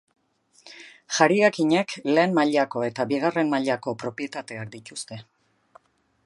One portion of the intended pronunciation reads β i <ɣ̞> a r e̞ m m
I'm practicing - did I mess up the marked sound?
no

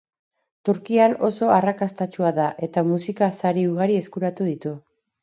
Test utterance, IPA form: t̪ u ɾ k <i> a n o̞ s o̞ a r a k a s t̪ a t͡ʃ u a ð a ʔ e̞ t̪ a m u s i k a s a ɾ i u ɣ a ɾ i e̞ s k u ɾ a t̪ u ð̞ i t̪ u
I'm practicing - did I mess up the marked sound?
no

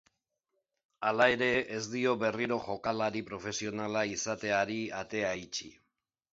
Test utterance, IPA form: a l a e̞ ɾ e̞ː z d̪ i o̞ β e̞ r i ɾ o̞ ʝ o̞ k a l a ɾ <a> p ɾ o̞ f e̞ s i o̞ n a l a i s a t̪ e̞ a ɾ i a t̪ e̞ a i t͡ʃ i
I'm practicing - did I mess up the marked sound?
yes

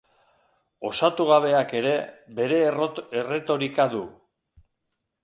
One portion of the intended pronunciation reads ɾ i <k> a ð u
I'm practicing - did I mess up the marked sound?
no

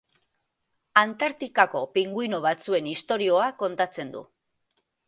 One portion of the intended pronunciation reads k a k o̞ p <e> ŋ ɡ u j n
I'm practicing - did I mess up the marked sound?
yes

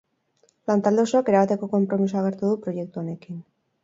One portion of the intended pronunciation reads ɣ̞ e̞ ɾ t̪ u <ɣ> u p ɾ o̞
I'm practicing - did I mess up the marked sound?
yes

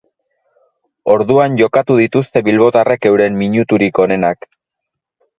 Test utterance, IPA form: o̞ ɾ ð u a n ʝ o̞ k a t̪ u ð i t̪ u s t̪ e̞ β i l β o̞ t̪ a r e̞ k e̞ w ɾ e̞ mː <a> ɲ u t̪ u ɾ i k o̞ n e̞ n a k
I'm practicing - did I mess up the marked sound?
yes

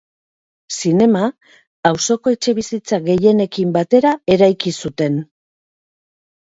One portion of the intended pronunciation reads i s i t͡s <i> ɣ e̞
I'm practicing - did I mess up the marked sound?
yes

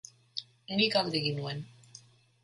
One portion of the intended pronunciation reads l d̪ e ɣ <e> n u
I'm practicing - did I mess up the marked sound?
yes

